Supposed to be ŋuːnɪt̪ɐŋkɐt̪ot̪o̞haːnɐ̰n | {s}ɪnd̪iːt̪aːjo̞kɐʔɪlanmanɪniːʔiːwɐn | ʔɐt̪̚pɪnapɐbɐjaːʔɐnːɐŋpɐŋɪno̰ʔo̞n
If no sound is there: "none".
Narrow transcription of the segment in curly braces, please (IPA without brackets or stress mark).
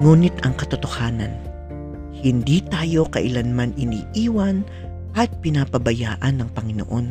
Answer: h